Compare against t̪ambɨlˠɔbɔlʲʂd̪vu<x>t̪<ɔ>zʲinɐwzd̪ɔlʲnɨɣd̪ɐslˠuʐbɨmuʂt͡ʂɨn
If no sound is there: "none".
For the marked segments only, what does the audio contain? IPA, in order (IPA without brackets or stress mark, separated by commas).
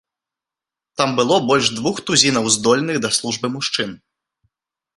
x, u